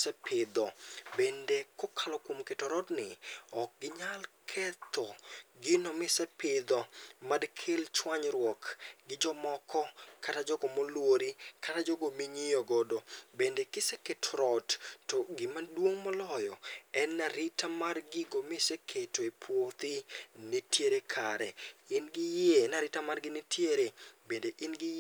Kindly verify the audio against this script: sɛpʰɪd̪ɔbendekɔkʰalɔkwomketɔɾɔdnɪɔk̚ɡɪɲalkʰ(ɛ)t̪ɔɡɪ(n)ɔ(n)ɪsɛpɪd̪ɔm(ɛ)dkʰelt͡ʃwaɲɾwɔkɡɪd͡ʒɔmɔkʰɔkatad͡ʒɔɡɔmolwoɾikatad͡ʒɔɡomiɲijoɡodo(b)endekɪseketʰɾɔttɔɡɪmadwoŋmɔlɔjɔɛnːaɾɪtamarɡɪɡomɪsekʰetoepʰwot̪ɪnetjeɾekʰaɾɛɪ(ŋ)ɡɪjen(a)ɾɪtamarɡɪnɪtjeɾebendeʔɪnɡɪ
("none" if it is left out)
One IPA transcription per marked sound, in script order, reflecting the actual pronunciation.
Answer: ɛ, n, m, a, b, n, a

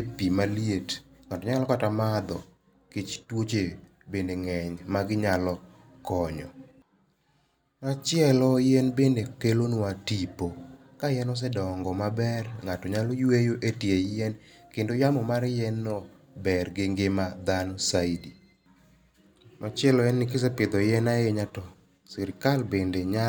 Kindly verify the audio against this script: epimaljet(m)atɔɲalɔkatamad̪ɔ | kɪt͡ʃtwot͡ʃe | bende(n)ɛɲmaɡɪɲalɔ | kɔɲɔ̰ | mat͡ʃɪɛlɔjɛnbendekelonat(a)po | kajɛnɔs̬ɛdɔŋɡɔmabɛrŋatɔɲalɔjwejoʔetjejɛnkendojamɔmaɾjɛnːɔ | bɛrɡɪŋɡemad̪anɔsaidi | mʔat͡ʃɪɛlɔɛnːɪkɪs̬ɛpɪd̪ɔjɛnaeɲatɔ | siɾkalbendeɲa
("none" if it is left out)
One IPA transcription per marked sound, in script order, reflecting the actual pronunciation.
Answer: ŋ, ŋ, i

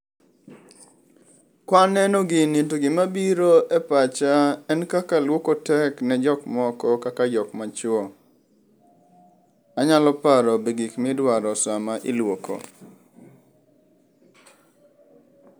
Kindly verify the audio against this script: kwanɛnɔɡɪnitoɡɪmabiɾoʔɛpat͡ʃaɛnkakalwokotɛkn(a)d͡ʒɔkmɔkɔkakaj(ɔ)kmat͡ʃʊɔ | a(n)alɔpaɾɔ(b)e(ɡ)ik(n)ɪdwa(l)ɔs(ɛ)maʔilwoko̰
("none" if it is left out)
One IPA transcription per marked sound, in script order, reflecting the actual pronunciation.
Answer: ɛ, ɔ, ɲ, b, ɡ, m, ɾ, a

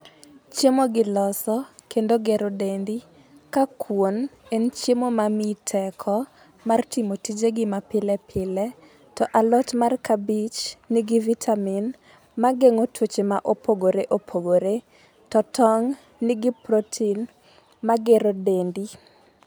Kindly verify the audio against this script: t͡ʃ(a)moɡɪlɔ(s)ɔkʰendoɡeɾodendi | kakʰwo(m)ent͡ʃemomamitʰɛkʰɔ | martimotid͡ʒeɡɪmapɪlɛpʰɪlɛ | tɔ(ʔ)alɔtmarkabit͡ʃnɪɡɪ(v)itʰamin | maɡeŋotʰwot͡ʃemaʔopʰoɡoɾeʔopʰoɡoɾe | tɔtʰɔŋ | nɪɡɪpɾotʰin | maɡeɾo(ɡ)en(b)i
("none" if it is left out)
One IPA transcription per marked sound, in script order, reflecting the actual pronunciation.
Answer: e, s, n, ʔ, v, d, d

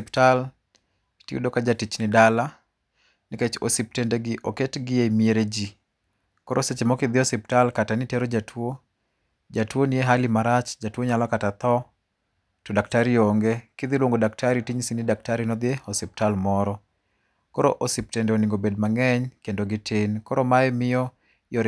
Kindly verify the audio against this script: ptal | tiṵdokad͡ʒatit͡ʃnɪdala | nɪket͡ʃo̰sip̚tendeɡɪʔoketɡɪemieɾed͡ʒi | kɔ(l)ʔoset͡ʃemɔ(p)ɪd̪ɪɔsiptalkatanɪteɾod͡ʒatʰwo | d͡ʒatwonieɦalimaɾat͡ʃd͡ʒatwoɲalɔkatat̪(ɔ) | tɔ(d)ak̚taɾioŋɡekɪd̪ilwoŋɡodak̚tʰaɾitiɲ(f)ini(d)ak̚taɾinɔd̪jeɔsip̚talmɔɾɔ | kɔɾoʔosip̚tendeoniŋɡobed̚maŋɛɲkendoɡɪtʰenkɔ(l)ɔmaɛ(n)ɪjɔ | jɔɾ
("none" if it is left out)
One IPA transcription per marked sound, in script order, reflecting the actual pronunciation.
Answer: ɾ, k, ɔ, d, s, d, ɾ, m

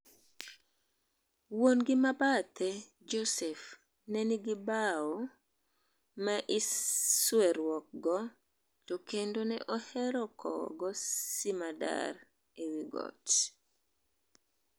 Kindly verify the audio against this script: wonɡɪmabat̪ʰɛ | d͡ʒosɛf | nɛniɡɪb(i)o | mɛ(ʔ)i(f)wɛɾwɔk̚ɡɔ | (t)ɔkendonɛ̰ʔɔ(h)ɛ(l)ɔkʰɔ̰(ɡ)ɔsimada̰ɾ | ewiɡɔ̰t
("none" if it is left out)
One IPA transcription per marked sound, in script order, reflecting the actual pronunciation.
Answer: a, ʔ, s, t, h, ɾ, ɡ

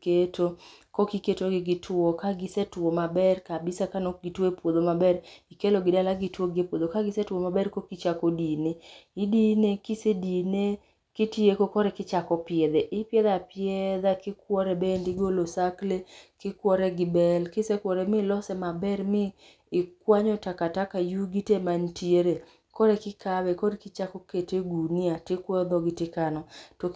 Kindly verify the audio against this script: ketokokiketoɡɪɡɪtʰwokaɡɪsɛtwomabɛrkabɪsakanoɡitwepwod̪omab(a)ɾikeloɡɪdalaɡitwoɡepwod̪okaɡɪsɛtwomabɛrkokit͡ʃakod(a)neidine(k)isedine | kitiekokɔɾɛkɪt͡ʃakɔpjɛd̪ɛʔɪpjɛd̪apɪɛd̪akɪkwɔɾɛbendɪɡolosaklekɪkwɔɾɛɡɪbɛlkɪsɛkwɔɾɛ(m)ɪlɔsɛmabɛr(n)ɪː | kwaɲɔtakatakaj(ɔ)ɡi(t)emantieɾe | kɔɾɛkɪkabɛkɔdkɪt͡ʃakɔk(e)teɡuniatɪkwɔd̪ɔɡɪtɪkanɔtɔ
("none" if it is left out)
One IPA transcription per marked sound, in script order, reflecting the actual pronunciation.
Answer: ɛ, i, k, m, m, u, t, e

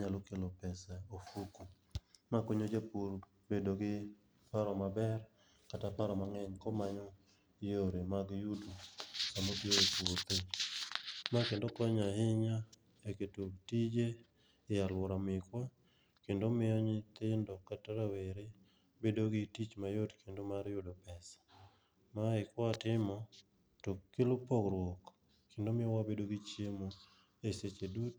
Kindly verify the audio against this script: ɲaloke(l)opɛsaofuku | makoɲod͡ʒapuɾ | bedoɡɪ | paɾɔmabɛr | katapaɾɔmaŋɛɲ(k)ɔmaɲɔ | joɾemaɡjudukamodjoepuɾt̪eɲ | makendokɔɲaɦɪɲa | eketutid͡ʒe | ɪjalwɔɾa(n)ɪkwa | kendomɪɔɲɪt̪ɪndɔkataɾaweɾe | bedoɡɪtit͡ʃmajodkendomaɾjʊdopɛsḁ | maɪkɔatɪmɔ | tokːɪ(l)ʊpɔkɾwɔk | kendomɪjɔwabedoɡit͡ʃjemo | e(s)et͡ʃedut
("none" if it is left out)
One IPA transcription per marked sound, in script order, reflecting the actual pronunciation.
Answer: l, k, m, l, s

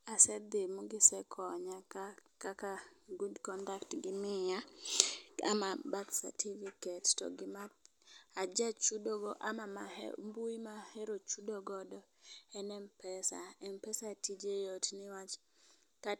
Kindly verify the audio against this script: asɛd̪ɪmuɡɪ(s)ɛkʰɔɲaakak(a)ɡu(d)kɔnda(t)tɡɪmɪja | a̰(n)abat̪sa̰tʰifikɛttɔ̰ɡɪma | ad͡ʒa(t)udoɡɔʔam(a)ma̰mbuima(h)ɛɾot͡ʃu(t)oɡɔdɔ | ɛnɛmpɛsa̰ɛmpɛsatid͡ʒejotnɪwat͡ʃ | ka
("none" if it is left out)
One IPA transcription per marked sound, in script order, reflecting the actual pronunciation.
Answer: s, a, d, k, m, t͡ʃ, a, h, d

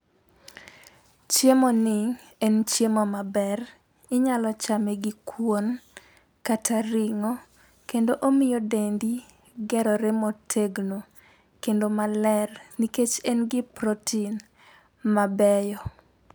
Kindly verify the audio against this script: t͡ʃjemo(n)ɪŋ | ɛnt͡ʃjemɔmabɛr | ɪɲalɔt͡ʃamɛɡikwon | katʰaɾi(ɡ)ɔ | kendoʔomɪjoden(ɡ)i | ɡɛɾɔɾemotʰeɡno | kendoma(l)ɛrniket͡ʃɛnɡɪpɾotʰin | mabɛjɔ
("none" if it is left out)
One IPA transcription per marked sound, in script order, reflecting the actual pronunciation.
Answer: n, ŋ, d, l

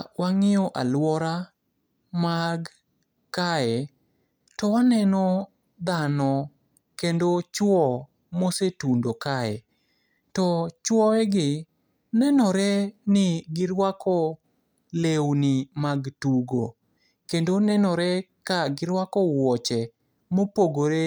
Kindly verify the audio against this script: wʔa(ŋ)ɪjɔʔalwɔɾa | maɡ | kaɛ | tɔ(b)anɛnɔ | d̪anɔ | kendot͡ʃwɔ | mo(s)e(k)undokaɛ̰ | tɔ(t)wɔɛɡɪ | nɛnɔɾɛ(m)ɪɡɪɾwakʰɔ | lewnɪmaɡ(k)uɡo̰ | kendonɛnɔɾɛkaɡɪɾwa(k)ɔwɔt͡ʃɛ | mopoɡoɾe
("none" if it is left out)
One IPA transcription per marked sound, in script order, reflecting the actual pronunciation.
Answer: ŋ, w, s, t, t͡ʃ, n, t, k

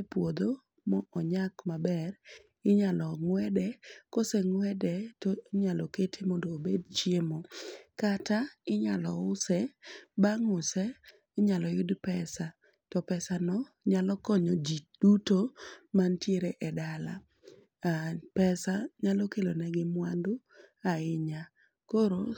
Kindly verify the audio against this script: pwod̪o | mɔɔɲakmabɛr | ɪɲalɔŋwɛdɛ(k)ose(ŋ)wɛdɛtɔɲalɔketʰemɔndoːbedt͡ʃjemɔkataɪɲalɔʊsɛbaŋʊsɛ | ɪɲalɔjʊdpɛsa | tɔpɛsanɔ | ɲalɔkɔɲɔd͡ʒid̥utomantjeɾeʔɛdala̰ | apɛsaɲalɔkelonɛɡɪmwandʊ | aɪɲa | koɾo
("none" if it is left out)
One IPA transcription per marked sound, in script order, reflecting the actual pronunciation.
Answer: k, ŋ

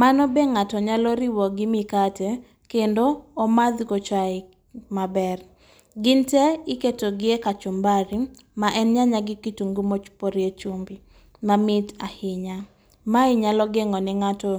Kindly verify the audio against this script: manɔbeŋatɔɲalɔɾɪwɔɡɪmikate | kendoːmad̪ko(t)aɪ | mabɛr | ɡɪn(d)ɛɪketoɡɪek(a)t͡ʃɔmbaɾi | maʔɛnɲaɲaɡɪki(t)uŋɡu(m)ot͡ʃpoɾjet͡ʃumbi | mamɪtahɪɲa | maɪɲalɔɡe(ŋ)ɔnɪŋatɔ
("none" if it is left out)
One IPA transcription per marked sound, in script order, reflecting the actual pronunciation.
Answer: t͡ʃ, t, a, t, m, ŋ

